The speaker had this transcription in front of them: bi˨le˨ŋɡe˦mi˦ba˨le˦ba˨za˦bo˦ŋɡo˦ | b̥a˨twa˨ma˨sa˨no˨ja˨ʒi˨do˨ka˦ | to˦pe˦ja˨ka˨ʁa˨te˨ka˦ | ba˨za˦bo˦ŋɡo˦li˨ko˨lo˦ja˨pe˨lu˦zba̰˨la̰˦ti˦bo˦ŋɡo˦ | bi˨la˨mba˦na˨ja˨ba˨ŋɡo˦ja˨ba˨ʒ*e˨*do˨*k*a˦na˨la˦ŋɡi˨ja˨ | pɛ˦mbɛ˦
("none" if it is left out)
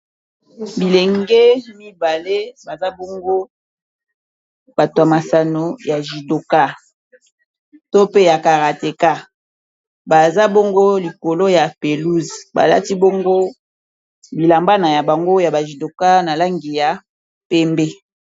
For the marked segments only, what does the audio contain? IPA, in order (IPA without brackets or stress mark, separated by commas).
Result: i˨, k